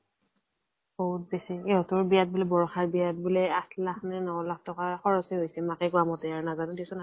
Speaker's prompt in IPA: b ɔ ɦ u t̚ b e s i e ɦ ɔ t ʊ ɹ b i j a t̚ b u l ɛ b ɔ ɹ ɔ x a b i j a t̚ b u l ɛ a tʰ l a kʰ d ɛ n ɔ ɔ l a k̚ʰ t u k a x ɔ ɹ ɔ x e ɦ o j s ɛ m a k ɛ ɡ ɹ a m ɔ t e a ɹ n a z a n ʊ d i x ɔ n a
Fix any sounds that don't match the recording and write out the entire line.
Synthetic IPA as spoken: b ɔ ɦ u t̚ b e s i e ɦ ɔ t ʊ ɹ b i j a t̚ b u l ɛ b ɔ ɹ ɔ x a b i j a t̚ b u l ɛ a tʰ l a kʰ n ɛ n ɔ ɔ l a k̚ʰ t ɔ k a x ɔ ɹ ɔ s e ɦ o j s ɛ m a k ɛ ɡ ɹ a m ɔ t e a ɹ n a z a n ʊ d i s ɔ n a